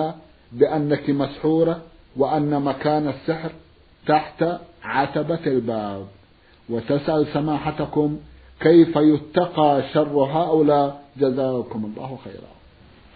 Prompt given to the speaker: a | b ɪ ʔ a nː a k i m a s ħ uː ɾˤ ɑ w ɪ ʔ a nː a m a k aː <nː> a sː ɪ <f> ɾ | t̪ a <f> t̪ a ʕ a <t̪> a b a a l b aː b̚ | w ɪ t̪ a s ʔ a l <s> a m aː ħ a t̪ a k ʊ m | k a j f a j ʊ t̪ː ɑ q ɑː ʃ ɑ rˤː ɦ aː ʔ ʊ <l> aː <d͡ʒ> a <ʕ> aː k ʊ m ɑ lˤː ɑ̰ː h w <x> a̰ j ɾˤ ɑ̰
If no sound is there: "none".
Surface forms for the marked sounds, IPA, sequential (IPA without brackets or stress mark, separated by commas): n, ħ, ħ, t̪, s, l, d͡ʒ, z, x